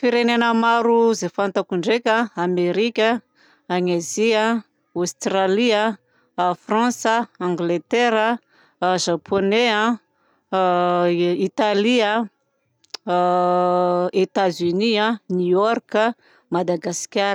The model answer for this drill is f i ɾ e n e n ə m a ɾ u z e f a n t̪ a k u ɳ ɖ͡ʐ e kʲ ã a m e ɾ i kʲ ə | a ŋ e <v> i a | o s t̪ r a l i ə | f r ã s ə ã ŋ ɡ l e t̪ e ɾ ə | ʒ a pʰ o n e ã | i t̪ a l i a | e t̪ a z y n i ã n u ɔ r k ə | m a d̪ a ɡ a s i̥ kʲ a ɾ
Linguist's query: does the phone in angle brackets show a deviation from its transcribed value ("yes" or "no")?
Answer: yes